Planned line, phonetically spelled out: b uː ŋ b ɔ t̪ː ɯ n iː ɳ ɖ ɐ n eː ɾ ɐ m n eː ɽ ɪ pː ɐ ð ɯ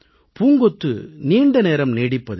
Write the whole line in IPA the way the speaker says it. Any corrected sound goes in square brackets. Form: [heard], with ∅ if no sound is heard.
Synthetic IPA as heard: [p] uː ŋ [ɡ] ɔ t̪ː ɯ n iː ɳ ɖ ɐ n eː ɾ ɐ m n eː ɽ ɪ pː ɐ ð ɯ